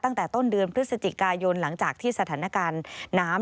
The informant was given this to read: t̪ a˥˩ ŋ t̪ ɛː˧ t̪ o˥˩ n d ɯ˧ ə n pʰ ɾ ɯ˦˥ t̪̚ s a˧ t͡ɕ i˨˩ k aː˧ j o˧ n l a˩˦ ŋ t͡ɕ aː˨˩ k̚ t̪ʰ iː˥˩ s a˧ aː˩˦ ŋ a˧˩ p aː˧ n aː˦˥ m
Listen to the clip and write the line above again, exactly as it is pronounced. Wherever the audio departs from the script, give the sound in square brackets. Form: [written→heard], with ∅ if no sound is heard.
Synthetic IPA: t̪ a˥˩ ŋ t̪ [ɛː˧→ɛː˨˩] t̪ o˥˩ n d ɯ˧ ə n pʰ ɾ ɯ˦˥ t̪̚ s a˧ t͡ɕ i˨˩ k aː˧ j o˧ n l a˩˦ ŋ t͡ɕ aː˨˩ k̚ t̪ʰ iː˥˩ s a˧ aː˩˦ [ŋ→n] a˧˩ [p→k] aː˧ [n→nː] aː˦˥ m